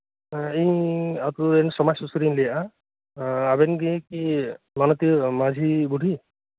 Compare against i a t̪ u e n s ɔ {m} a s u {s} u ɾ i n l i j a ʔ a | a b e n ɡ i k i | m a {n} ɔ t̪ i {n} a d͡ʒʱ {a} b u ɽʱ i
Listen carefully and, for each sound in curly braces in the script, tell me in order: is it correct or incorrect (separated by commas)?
correct, correct, correct, incorrect, incorrect